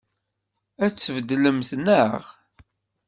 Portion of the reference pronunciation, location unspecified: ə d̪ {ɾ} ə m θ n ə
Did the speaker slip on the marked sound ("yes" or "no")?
yes